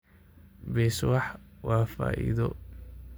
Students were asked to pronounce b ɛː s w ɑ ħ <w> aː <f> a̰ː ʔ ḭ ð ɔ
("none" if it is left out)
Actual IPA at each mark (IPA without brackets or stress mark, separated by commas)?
w, f